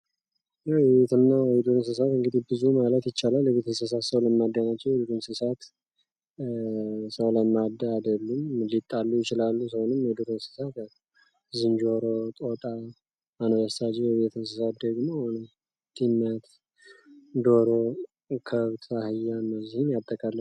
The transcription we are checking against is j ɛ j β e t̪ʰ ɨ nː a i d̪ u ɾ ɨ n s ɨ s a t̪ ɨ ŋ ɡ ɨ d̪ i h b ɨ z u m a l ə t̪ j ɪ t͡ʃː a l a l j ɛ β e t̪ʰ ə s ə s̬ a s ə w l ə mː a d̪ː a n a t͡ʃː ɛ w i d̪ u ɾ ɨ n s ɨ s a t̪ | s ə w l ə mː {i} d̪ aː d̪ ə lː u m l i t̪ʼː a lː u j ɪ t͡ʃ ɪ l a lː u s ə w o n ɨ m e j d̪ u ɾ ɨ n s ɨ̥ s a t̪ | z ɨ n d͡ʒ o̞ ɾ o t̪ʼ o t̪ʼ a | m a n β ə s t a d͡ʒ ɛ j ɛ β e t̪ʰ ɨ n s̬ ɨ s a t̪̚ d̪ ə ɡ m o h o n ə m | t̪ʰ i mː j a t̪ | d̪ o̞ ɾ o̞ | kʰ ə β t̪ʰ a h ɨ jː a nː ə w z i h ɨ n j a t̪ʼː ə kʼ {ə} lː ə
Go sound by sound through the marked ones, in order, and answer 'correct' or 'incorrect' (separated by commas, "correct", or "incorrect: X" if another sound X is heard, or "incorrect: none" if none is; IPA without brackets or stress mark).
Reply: incorrect: a, incorrect: a